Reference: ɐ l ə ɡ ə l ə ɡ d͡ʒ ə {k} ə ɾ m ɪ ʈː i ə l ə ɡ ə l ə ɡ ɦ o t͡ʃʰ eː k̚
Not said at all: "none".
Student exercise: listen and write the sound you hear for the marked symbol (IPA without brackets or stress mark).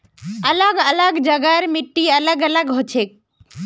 ɡ